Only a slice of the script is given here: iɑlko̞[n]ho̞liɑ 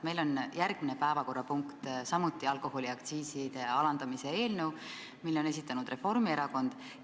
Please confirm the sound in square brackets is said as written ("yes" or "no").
no